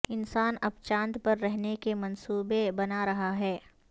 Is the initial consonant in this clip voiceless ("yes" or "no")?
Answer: no